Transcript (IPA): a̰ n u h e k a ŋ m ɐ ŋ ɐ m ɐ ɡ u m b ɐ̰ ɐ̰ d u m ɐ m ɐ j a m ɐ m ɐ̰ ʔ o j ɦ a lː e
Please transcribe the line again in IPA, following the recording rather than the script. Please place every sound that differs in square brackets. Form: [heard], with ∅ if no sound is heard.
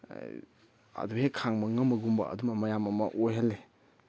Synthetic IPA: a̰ [d] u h e [kʰ] a ŋ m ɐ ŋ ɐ m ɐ ɡ u m b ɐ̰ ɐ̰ d u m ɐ m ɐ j a m ɐ m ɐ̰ ʔ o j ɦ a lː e